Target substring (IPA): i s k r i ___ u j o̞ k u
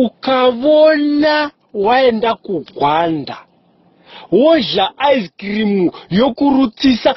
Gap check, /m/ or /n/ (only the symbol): m